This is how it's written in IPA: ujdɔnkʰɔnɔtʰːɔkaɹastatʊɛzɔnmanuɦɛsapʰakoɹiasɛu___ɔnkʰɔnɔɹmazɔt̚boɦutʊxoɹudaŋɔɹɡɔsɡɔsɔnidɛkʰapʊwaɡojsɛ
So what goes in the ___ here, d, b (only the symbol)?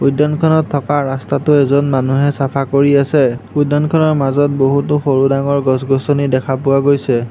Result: d